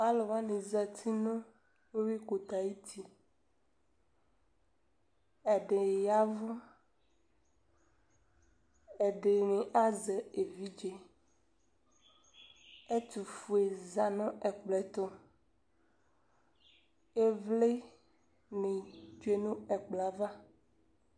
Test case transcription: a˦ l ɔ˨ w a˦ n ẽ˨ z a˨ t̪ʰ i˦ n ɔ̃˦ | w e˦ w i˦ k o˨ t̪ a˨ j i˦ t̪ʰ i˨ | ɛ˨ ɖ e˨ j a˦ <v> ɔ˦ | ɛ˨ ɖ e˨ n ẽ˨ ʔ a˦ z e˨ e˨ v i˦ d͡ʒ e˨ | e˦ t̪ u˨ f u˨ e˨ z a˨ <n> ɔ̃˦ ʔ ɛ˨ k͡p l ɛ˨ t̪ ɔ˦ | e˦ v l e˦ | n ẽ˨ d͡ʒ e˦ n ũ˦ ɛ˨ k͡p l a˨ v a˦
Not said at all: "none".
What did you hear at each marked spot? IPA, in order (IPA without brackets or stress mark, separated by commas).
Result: v, n